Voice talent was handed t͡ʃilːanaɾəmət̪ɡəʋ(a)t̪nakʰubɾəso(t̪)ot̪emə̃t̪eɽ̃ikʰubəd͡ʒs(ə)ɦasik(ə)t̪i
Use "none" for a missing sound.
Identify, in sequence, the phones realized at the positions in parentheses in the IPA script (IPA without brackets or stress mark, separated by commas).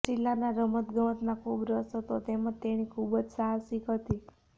ə, t̪, a, ə